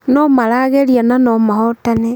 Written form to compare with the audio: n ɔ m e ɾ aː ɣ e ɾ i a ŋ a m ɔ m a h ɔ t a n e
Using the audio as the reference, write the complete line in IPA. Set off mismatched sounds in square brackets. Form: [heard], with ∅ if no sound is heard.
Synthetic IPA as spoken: n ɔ m [a] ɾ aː ɣ e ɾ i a [n] a [n] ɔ m a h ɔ t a n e

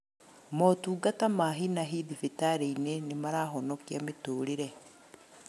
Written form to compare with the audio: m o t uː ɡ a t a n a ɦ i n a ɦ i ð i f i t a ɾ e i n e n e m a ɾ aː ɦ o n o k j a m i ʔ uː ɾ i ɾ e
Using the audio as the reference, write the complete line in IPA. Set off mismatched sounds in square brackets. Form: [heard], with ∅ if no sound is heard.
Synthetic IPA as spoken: m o t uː ɡ a t a [m] a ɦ i n a ɦ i ð i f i t a ɾ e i n e n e m a ɾ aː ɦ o n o k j a m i [t] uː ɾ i ɾ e

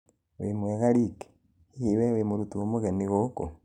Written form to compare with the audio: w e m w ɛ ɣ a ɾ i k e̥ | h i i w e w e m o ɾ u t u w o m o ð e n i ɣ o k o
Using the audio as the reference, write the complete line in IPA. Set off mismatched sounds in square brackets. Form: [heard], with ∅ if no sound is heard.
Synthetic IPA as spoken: w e m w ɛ ɣ a ɾ i k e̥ | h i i w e w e m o ɾ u t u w o m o [ɣ] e n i ɣ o k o

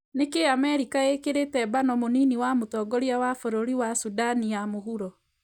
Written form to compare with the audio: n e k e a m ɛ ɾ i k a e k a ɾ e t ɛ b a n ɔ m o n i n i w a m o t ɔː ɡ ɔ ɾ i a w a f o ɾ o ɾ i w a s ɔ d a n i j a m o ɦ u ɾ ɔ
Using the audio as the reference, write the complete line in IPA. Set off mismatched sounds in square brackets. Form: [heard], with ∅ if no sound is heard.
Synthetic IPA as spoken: n e k e a m ɛ ɾ i k a e k [e] ɾ e t ɛ b a n ɔ m o n i n i w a m o t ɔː ɡ ɔ ɾ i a w a f o ɾ o ɾ i w a s [u] d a n i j a m o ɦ u ɾ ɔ

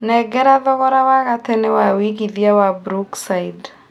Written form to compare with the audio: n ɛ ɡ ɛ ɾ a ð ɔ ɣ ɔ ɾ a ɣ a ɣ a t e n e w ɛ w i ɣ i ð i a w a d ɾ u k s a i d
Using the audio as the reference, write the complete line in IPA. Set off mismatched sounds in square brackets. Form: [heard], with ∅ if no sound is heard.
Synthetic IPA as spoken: n ɛ ɡ ɛ ɾ a ð ɔ ɣ ɔ ɾ a [w] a ɣ a t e n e w [a] w i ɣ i ð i a w a [b] ɾ u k s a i d

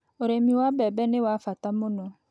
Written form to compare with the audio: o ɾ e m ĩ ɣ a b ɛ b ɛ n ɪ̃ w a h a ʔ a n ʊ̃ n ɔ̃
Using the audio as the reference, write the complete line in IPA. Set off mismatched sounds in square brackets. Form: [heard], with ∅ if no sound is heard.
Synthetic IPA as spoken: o ɾ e m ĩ [w] a b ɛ b ɛ n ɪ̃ w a [f] a [t] a [m] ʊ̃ n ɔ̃

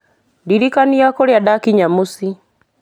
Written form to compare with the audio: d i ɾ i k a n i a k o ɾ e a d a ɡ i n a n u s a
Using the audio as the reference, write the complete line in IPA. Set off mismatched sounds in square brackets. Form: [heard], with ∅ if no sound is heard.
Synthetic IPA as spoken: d i ɾ i k a n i a k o ɾ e a d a [k] i [ɲ] a [m] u s [i]

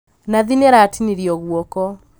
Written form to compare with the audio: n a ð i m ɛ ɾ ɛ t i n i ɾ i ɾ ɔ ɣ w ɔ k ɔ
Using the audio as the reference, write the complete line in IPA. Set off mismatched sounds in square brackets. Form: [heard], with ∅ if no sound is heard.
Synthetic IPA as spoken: n a ð i [n] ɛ ɾ [a] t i n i ɾ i [∅] ɔ ɣ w ɔ k ɔ

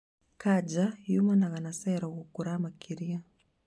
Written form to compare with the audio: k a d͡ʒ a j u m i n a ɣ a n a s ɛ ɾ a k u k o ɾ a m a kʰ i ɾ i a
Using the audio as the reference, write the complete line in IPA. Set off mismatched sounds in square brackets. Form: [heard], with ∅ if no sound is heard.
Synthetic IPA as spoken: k a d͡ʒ a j u m [a] n a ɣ a n a s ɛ ɾ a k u k [u] ɾ a m a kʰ i ɾ i a

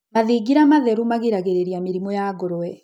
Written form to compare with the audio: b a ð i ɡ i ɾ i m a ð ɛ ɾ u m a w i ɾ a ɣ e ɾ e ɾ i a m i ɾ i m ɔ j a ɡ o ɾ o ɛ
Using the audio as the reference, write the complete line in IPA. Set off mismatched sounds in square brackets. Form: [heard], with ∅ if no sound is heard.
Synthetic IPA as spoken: [m] a ð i ɡ i ɾ [a] m a ð ɛ ɾ u m a [ɣ] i ɾ a ɣ e ɾ e ɾ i a m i ɾ i m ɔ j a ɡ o ɾ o ɛ

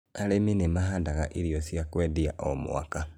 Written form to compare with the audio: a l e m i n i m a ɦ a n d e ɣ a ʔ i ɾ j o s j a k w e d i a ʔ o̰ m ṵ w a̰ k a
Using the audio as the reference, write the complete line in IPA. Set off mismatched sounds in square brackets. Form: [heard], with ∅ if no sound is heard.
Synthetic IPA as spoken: a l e m i n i m a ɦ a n d [a] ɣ a ʔ i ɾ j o s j a k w e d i a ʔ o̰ m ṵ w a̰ k a

